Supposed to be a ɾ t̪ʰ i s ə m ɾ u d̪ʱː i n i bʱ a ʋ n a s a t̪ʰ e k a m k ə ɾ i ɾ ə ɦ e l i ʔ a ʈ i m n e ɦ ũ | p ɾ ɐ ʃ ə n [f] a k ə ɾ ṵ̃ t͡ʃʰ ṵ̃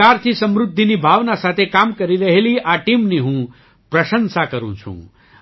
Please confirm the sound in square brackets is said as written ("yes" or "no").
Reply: no